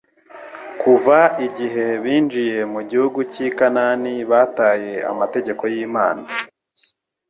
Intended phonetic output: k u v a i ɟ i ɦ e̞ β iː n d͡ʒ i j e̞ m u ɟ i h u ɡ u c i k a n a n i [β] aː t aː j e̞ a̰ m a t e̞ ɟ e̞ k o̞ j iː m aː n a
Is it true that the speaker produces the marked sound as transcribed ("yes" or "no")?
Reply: yes